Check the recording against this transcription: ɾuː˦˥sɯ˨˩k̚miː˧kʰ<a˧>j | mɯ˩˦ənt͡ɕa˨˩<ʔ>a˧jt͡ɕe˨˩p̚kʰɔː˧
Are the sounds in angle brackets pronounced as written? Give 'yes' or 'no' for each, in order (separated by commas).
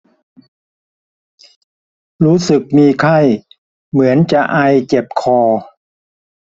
no, yes